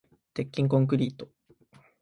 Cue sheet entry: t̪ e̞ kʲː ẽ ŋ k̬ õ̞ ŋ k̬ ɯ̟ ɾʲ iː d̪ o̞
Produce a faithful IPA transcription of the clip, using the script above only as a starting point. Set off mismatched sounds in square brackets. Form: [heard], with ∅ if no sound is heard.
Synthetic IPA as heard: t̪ e̞ kʲː [ĩ] ŋ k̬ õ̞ ŋ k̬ ɯ̟ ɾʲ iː [t̪] o̞